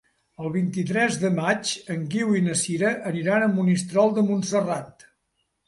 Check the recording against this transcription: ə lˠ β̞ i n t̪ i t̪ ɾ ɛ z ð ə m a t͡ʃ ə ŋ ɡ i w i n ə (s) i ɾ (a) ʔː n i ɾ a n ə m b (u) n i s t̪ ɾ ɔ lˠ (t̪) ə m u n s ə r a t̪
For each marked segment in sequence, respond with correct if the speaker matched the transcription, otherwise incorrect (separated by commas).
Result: correct, incorrect, correct, incorrect